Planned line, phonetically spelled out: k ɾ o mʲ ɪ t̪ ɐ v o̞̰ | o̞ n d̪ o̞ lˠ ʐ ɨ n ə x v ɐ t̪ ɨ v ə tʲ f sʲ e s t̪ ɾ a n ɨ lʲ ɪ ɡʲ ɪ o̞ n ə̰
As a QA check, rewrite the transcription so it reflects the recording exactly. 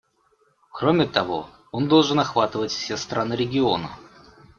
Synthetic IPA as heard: k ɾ o mʲ ɪ t̪ ɐ v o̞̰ | o̞ n d̪ o̞ lˠ ʐ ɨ n ɐ x v a t̪ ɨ v ə tʲ f sʲ e s t̪ ɾ a n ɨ ɾʲ ɪ ɡʲ ɪ o̞ n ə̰

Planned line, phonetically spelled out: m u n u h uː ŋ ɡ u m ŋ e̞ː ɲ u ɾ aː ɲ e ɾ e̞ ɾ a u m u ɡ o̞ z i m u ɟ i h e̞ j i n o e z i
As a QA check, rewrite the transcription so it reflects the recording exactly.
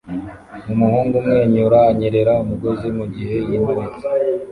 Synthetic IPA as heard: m u m u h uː ŋ ɡ u m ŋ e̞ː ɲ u ɾ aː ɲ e ɾ e̞ ɾ a u m u ɡ o̞ z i m u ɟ i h e̞ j i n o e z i

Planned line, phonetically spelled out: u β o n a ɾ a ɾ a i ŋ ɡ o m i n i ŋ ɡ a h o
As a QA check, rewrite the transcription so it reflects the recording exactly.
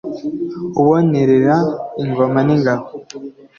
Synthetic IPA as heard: u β o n e ɾ e ɾ a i ŋ ɡ o m a n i ŋ ɡ a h o

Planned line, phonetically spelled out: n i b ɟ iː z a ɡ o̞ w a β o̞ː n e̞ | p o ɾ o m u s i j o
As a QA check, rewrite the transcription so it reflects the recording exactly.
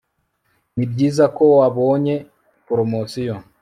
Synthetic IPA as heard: n i b ɟ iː z a k o̞ w a β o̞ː ɲ e̞ | p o ɾ o m o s i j o

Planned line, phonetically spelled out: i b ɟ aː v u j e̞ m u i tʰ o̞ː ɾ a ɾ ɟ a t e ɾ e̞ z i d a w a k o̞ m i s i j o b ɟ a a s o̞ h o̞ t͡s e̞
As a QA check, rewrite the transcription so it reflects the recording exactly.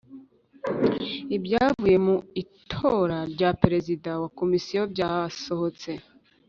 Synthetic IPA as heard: i b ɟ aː v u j e̞ m u i tʰ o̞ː ɾ a ɾ ɟ a p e ɾ e̞ z i d a w a k o̞ m i s i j o b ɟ a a s o̞ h o̞ t͡s e̞

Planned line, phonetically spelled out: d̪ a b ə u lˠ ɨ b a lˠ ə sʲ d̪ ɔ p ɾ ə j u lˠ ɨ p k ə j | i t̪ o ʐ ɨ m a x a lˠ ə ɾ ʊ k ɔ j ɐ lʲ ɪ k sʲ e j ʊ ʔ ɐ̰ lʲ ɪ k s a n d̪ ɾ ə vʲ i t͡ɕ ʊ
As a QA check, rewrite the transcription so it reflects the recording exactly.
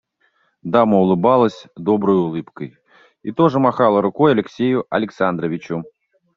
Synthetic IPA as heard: d̪ a m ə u lˠ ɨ b a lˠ ə sʲ d̪ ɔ b ɾ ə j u lˠ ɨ p k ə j | i t̪ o ʐ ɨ m a x a lˠ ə ɾ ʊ k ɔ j ɐ lʲ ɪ k sʲ e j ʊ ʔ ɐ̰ lʲ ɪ k s a n d̪ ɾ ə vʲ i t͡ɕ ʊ

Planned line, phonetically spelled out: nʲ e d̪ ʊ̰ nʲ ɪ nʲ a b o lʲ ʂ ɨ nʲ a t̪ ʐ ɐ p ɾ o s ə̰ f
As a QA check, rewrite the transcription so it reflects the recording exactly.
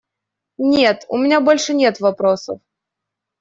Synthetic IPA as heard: nʲ e t̪ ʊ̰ mʲ ɪ nʲ a b o lʲ ʂ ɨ nʲ e t̪ v ɐ p ɾ o s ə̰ f

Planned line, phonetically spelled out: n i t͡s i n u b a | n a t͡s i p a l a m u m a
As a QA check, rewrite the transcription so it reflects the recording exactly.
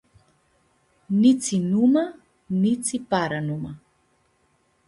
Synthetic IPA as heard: n i t͡s i n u m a | n i t͡s i p a ɾ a n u m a

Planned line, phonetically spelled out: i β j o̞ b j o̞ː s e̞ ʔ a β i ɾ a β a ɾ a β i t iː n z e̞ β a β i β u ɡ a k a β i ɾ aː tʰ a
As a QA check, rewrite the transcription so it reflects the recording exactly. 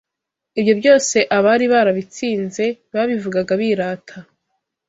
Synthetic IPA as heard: i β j o̞ b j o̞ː s e̞ ʔ a β a ɾ i β a ɾ a β i t͡s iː n z e̞ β a β i v u ɡ a ɡ a β i ɾ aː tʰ a

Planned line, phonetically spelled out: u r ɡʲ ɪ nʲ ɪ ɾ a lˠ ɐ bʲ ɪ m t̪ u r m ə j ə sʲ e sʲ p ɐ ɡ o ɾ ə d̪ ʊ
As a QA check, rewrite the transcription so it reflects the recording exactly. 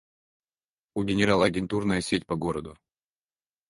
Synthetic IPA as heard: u ɡʲ ɪ nʲ ɪ ɾ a lˠ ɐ ɡʲ ɪ n t̪ u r n ə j ə sʲ e tʲ p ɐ ɡ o ɾ ə d̪ ʊ

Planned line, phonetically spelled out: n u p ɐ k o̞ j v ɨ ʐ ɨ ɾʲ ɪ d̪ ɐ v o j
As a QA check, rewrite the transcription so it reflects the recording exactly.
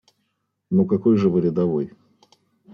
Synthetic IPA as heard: n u k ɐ k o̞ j ʐ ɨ v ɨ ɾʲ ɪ d̪ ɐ v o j

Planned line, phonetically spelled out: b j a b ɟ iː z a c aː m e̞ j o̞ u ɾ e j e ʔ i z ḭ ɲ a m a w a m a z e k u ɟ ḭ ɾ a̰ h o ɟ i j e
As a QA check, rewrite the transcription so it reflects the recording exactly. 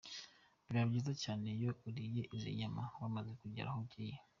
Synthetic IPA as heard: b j a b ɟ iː z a c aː n e̞ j o̞ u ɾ i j e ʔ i z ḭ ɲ a m a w a m a z e k u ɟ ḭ ɾ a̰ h o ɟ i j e

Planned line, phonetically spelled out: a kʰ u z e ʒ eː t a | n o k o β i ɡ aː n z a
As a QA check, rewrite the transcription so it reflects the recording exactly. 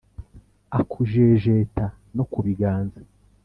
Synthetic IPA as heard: a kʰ u ʒ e ʒ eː t a | n o k u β i ɡ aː n z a

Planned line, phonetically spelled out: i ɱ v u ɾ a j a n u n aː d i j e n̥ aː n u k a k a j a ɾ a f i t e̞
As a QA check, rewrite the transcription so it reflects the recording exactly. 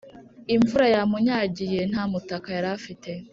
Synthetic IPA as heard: i ɱ v u ɾ a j a m u ɲ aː ɟ i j e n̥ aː m u t a k a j a ɾ a f i t e̞

